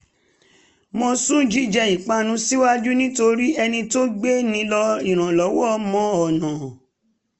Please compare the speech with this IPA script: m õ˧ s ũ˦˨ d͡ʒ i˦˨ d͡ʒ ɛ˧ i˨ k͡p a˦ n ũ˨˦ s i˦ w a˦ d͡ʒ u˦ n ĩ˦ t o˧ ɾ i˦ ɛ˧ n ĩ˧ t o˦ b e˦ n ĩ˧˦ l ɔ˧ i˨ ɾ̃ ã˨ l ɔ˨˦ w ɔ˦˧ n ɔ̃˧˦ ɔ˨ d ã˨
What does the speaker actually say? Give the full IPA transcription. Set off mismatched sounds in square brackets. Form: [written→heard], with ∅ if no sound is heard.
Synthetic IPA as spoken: m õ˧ s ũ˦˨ d͡ʒ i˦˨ d͡ʒ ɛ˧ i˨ k͡p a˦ n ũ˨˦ s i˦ w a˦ d͡ʒ u˦ n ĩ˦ t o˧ ɾ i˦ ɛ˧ n ĩ˧ t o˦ [b→ɡ͡b] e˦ n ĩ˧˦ l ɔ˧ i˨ ɾ̃ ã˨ l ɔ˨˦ w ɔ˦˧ [n→m] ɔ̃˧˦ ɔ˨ [d→n] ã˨